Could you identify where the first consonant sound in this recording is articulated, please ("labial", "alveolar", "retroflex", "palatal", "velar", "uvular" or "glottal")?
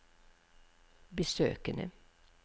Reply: labial